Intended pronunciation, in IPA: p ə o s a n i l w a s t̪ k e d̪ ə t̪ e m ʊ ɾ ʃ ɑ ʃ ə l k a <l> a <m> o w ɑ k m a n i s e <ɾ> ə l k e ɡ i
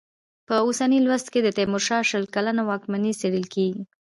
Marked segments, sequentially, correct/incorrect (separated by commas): correct, incorrect, incorrect